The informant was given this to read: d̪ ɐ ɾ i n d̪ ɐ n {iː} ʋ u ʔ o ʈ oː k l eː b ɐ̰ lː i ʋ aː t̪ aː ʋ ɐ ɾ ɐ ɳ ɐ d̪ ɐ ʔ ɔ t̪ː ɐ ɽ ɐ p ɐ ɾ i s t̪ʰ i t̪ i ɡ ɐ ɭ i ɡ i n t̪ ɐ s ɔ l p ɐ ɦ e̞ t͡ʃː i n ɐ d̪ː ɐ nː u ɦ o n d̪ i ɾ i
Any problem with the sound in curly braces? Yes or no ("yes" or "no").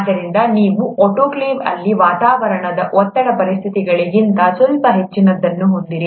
no